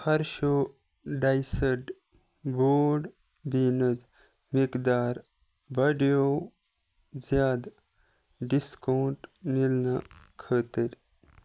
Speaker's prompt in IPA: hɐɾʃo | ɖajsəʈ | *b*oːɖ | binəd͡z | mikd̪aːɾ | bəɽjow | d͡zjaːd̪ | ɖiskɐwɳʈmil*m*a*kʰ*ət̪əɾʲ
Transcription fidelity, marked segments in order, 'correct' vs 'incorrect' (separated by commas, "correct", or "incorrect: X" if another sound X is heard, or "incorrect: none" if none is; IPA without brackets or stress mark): correct, incorrect: n, correct